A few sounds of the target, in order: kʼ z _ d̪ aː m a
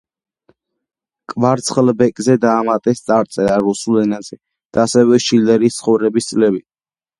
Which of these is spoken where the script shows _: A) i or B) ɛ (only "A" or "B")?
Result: B